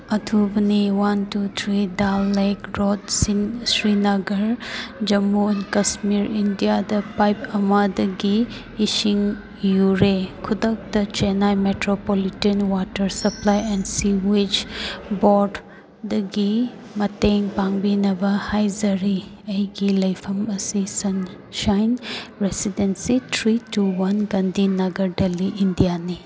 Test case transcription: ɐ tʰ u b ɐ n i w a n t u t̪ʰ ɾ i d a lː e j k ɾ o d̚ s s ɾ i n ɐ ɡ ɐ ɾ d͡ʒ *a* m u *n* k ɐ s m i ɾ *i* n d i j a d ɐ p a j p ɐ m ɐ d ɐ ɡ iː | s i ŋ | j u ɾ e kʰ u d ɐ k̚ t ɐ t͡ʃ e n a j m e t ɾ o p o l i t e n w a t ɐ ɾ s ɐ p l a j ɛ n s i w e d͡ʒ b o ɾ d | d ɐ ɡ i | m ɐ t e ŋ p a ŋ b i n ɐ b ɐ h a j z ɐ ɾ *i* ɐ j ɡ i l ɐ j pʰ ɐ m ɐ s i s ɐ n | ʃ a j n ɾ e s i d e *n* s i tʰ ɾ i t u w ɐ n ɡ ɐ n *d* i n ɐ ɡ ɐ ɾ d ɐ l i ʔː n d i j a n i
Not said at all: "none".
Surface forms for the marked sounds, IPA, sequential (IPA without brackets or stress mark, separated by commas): ɐ, n, i, i, n, d